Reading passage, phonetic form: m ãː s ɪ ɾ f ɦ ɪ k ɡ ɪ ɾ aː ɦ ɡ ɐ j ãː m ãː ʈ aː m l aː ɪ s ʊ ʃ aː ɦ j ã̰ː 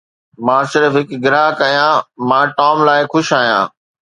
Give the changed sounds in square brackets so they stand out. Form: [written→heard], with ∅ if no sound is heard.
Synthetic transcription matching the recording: m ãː s ɪ ɾ f ɦ ɪ k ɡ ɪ ɾ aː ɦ [ɡ→k] ɐ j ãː m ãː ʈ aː m l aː ɪ [s→x] ʊ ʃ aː ɦ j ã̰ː